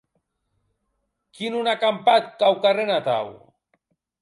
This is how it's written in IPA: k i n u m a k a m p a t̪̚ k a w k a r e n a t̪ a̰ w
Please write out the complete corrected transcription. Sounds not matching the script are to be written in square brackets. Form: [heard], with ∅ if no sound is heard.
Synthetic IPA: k i n u [n] a k a m p a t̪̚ k a w k a r e n a t̪ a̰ w